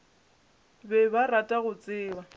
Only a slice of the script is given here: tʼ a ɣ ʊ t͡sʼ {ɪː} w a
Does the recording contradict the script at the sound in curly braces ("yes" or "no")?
no